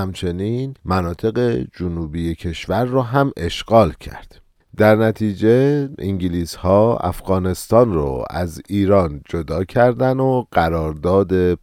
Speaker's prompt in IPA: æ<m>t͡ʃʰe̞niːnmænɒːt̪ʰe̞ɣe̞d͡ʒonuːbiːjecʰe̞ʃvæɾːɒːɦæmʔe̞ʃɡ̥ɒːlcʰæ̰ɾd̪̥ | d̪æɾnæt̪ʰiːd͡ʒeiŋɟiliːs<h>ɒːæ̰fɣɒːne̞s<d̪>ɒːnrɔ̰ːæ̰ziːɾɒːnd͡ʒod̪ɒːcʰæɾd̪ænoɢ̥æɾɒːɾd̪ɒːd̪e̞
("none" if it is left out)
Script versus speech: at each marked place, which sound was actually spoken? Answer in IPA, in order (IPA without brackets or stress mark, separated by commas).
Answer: m, h, t̪